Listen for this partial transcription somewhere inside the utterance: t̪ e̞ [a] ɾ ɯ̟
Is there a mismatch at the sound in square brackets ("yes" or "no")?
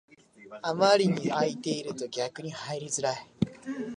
yes